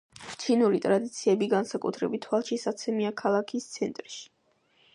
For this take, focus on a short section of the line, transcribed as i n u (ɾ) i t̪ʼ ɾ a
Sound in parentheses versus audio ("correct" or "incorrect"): correct